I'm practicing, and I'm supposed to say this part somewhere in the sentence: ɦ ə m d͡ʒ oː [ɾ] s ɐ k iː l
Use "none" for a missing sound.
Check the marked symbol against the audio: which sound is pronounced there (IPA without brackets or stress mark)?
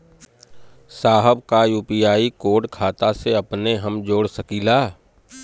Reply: ɽ